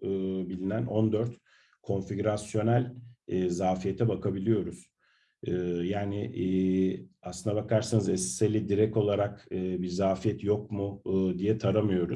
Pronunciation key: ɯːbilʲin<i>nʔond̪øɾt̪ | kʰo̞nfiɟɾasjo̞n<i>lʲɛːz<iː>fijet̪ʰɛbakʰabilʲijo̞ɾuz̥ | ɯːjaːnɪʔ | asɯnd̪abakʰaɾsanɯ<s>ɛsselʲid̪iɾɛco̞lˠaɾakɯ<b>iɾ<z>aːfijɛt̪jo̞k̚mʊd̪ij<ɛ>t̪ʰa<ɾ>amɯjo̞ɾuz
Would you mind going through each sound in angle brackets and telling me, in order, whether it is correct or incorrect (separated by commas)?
incorrect, incorrect, incorrect, incorrect, correct, correct, correct, correct